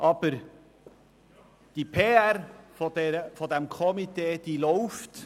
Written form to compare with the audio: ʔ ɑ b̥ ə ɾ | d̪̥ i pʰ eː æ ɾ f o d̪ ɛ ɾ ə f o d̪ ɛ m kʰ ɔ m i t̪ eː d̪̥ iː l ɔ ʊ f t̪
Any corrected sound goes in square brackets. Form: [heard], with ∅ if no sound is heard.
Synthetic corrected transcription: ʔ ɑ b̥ ə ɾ | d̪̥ i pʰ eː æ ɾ f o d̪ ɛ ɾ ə f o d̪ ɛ m kʰ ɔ m i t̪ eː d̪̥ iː l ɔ ʊ f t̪